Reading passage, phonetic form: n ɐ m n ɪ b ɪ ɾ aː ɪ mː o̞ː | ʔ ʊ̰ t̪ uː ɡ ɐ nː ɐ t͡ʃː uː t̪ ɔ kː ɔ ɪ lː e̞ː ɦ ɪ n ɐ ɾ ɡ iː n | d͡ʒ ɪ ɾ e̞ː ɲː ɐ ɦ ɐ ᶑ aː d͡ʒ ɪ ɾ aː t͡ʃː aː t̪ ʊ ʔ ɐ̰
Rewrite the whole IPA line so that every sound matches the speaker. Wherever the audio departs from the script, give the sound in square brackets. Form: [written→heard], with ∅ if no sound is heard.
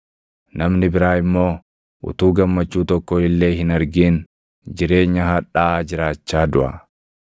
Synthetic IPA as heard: n ɐ m n ɪ b ɪ ɾ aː ɪ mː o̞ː | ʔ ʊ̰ t̪ uː ɡ ɐ [nː→mː] ɐ t͡ʃː uː t̪ ɔ kː ɔ ɪ lː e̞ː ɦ ɪ n ɐ ɾ ɡ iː n | d͡ʒ ɪ ɾ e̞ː ɲː ɐ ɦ ɐ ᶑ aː d͡ʒ ɪ ɾ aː t͡ʃː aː [t̪→d̪] ʊ ʔ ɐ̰